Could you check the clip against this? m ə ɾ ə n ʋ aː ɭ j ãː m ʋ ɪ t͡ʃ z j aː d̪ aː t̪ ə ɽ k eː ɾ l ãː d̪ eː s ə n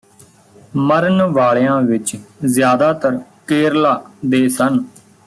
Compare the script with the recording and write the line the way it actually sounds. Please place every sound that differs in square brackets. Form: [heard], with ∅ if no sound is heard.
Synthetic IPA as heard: m ə ɾ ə n ʋ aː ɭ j ãː [∅] ʋ ɪ t͡ʃ z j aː d̪ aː t̪ ə [ɾ] k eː ɾ l [aː] d̪ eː s ə n